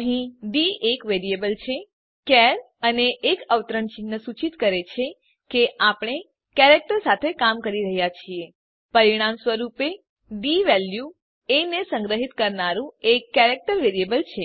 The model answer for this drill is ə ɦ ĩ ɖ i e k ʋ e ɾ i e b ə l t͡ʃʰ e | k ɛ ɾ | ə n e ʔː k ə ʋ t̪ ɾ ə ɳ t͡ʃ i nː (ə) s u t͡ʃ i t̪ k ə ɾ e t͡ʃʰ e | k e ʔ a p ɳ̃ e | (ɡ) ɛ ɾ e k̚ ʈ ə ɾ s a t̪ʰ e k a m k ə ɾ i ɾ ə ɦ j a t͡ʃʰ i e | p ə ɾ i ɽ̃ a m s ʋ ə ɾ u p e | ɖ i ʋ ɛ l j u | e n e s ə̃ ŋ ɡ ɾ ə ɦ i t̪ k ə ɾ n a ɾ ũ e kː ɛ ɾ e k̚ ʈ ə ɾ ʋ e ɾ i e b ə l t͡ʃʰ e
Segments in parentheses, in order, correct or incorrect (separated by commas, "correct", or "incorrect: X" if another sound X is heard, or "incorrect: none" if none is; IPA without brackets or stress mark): correct, incorrect: k